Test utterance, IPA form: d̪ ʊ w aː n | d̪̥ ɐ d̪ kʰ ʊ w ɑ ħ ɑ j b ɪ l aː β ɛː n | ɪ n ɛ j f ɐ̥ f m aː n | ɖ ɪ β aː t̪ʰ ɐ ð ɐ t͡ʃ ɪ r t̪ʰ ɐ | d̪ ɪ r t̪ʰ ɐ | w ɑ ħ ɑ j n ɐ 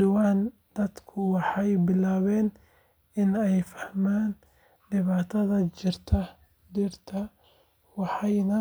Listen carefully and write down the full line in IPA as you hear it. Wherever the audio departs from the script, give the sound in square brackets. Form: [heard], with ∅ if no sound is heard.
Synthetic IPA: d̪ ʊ w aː n | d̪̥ ɐ d̪ kʰ ʊ w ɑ ħ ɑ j b ɪ l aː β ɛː n | ɪ n ɛ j f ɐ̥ [h] m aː n | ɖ ɪ β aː t̪ʰ ɐ ð ɐ t͡ʃ ɪ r t̪ʰ ɐ | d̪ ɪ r t̪ʰ ɐ | w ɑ ħ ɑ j n ɐ